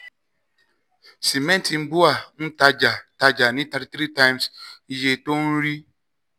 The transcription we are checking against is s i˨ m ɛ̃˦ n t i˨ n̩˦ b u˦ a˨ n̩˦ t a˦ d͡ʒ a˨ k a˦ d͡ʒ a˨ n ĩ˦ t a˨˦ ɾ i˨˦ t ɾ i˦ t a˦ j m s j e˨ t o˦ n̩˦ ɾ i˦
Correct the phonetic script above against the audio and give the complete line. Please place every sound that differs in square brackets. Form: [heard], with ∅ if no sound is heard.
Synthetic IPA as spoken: s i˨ m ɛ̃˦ n t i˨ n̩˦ b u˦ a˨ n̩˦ t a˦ d͡ʒ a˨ [t] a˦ d͡ʒ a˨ n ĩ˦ t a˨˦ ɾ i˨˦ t ɾ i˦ t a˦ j m s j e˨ t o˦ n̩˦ ɾ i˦